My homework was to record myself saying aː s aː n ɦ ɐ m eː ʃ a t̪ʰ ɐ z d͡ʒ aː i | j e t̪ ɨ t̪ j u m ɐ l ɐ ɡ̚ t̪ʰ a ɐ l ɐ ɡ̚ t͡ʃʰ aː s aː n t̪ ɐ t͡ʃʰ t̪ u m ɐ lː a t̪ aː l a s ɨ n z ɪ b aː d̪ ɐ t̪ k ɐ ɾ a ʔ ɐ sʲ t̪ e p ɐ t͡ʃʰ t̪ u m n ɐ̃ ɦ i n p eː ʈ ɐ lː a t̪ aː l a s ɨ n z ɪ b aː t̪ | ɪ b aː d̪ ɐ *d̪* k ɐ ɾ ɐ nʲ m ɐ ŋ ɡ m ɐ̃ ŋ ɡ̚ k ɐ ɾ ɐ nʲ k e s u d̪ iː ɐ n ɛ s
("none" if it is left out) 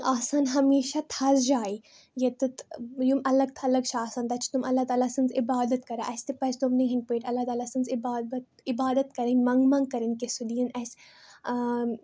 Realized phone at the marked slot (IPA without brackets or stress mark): t̪